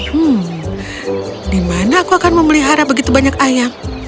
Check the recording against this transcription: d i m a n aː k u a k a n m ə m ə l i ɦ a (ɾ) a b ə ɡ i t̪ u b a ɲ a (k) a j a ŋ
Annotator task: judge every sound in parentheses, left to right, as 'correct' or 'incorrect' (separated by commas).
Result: correct, correct